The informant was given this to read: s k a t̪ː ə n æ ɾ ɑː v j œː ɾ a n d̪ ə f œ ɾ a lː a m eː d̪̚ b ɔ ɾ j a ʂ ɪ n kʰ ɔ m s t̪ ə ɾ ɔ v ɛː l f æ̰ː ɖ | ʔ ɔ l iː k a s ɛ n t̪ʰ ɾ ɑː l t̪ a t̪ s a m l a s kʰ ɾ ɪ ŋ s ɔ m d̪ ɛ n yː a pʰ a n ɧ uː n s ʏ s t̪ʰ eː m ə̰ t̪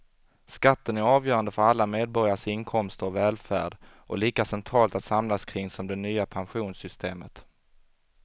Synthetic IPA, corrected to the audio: s k a t̪ː ə n æ ɾ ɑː v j œː ɾ a n d̪ ə f œ ɾ a lː a m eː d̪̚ b ɔ ɾ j a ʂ ɪ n kʰ ɔ m s t̪ ə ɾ ɔ v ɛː l f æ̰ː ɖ | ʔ ɔ l iː k a s ɛ n t̪ʰ ɾ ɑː l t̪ a t̪ s a m l a s kʰ ɾ ɪ ŋ s ɔ m d̪ ɛ n yː a pʰ a n ɧ uː n s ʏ s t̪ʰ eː m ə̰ t̪